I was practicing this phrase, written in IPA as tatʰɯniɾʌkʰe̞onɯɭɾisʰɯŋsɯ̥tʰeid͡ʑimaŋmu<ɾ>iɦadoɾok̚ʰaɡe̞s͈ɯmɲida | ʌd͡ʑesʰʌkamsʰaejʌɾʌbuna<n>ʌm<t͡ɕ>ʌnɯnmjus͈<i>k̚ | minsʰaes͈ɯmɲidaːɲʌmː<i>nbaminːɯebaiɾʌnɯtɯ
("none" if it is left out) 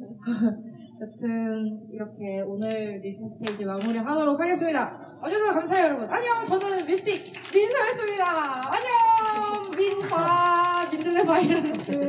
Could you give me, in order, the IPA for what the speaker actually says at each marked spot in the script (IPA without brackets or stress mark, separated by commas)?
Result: ɾ, ɲ, t͡ɕ, i, i